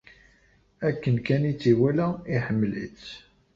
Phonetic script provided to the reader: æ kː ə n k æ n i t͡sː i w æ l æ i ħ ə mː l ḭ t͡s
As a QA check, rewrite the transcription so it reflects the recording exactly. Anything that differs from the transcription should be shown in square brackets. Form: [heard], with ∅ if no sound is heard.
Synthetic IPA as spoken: æ kː ə n k æ n i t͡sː i w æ l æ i ħ ə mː l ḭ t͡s